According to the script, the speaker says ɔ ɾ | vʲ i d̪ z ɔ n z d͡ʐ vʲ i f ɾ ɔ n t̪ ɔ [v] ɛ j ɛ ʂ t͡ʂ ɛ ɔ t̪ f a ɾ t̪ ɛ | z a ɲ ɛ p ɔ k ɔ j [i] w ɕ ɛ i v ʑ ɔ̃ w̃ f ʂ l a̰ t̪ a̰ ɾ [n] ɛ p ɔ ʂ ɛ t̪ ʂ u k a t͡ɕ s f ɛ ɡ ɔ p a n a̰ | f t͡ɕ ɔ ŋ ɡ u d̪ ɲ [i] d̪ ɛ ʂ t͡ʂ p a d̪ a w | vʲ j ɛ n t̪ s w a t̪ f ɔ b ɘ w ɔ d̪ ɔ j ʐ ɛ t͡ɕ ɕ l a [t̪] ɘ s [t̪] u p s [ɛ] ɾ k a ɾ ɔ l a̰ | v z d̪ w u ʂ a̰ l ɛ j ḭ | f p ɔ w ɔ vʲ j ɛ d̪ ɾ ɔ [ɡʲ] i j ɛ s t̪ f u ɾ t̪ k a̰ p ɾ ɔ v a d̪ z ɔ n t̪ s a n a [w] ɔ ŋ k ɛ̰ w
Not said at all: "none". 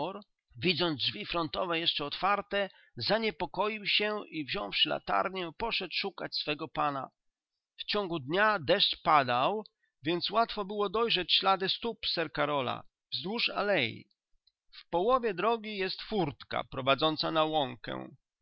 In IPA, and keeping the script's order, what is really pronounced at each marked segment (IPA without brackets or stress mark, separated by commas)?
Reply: v, i, ɲ, a, d̪, t̪, ɛ, ɡʲ, w